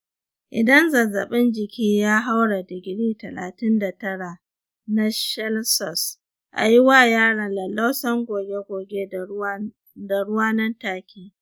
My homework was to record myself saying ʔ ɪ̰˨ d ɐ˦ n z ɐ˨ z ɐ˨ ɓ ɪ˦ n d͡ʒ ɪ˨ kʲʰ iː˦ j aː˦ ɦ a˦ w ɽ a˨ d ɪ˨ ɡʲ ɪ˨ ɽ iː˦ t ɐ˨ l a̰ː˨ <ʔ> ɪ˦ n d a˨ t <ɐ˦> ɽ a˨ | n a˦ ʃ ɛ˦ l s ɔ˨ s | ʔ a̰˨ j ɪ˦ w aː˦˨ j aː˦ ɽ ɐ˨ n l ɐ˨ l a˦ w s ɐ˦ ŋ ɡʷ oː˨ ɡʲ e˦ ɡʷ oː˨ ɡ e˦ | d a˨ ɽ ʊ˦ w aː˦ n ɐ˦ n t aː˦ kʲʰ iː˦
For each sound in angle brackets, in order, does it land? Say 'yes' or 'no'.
no, yes

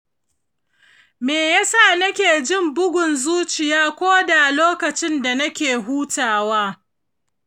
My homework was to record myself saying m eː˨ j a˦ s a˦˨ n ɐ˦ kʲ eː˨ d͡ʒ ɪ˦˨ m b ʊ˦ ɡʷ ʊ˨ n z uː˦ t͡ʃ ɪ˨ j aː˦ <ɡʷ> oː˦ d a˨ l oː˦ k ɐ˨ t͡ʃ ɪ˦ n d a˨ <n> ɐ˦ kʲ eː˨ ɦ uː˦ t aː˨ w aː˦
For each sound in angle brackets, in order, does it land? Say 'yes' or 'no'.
no, yes

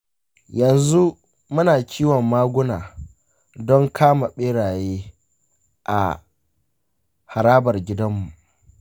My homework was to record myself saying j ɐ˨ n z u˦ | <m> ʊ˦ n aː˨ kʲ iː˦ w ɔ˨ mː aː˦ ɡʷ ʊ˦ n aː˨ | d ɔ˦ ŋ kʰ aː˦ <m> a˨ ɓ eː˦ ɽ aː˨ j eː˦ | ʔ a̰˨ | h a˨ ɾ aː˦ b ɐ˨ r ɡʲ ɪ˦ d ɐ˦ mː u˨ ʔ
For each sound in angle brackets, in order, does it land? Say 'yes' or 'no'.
yes, yes

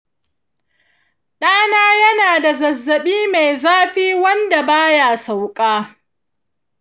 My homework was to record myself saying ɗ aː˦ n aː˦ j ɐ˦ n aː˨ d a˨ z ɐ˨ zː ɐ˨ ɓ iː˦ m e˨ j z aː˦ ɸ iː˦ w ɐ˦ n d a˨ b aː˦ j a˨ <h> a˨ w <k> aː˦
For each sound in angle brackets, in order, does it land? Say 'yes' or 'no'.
no, no

